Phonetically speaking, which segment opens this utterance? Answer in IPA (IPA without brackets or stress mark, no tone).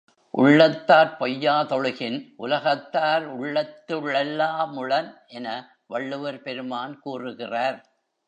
ʔ